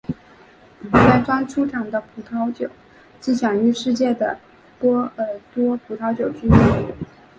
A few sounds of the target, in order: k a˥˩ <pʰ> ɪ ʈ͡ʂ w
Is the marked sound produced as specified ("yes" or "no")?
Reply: no